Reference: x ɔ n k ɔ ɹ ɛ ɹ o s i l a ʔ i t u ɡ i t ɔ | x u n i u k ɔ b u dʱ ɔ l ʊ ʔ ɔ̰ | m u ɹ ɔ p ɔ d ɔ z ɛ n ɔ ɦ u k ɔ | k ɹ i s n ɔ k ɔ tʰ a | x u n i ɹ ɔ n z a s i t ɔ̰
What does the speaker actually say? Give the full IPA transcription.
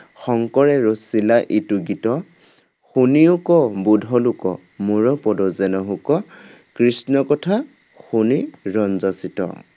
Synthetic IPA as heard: x ɔ ŋ k ɔ ɹ ɛ ɹ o s i l a ʔ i t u ɡ i t ɔ | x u n i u k ɔ b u dʱ ɔ l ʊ k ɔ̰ | m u ɹ ɔ p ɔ d ɔ z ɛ n ɔ ɦ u k ɔ | k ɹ i s n ɔ k ɔ tʰ a | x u n i ɹ ɔ n z a s i t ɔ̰